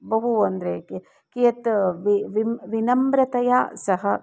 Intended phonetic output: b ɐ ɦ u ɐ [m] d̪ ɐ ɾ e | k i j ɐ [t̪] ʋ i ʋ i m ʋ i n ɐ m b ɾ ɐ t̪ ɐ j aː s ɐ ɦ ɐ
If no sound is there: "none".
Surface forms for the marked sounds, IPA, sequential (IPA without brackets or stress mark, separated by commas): n, t̪